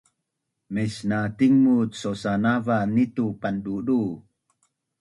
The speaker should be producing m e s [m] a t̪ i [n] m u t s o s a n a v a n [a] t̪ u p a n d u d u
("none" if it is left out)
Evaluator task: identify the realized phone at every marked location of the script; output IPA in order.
n, ŋ, i

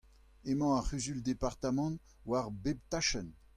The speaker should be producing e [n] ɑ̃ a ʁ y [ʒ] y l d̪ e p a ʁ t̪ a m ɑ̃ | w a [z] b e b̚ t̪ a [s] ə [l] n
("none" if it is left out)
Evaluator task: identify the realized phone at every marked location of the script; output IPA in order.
m, z, ʁ, ʃ, none

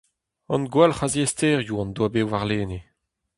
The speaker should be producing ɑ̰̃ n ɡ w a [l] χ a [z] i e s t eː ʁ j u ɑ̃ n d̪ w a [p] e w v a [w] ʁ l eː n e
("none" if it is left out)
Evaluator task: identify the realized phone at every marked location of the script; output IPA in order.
l, z, b, none

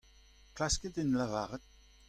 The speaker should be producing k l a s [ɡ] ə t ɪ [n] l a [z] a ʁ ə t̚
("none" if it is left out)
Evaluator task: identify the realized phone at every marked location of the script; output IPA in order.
k, n, v

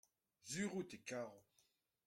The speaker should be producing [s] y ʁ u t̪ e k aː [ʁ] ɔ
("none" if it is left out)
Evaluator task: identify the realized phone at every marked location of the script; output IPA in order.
z, ʁ

